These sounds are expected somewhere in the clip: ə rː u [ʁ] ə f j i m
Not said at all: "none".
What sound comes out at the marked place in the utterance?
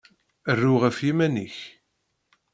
ʁ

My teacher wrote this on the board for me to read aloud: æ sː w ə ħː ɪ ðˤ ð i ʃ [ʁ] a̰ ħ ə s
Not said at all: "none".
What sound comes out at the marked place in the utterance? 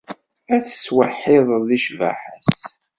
v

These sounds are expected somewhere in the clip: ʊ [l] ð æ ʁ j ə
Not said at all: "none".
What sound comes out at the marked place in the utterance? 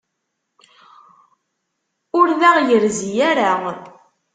ɾ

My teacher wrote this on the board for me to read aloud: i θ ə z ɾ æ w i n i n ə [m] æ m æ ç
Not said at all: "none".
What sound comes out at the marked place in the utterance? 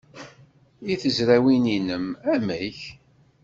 m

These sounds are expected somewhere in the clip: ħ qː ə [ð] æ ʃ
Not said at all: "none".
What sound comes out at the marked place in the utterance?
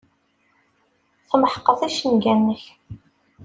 θ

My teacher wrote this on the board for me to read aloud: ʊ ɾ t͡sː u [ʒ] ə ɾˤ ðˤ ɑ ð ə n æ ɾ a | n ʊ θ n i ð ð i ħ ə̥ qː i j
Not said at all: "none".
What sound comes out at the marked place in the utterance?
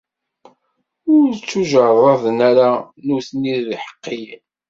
ʒ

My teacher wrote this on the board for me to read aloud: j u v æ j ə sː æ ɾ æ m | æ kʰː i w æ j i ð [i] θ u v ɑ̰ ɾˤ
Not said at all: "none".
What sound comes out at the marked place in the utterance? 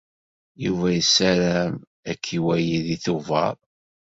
i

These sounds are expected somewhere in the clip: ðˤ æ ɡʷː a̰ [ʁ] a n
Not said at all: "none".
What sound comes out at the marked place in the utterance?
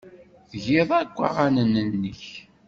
ʁ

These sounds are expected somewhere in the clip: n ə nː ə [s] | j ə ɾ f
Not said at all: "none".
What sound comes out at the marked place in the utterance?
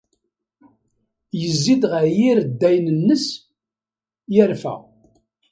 s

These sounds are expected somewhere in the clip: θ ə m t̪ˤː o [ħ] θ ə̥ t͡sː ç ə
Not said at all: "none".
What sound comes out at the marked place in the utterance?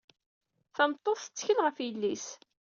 θ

